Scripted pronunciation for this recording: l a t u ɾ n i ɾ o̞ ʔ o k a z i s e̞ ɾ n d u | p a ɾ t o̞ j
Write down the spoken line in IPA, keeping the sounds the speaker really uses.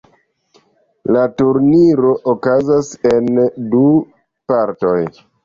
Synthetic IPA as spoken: l a t u ɾ n i ɾ o̞ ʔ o k a z a s e̞ n d u | p a ɾ t o̞ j